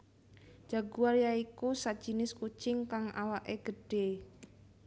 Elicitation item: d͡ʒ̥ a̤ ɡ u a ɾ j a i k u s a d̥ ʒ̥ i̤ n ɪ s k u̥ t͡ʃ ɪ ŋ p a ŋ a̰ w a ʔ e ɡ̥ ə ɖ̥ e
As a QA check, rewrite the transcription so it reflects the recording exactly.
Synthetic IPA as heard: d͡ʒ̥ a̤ ɡ u a ɾ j a i k u s a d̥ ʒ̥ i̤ n ɪ s k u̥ t͡ʃ ɪ ŋ k a ŋ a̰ w a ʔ e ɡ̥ ə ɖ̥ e